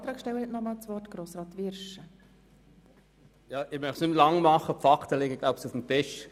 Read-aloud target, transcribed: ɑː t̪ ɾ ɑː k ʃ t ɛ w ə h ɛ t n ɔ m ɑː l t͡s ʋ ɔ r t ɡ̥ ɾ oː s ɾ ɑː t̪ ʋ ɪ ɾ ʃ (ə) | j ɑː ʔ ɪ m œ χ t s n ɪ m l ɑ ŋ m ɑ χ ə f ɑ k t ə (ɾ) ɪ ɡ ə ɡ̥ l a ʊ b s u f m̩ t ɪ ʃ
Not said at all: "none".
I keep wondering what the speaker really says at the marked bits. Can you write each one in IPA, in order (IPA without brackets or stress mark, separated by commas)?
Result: ə, l